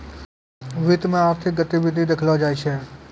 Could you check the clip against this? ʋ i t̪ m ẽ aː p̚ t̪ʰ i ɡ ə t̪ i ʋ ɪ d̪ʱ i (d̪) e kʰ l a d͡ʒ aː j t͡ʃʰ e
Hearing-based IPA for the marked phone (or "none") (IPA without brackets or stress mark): d̪